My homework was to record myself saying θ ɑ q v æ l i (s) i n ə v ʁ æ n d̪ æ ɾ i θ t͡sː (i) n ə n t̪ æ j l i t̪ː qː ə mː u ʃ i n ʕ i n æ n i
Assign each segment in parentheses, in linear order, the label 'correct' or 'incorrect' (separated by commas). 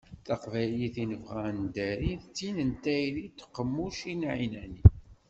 incorrect, correct